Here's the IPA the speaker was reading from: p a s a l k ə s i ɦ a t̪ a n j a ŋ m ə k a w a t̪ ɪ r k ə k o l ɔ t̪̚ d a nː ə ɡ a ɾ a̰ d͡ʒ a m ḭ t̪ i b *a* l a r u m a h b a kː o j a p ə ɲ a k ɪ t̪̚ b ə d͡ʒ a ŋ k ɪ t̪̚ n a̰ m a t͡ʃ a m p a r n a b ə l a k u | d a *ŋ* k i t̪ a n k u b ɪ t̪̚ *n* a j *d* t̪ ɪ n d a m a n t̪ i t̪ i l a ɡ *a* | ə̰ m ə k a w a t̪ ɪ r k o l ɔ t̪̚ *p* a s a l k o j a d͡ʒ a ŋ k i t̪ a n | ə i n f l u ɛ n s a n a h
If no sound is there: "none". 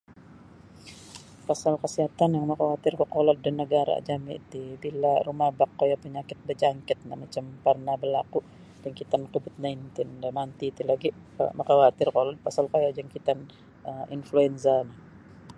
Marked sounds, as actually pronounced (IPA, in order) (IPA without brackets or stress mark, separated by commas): i, ŋ, n, n, i, p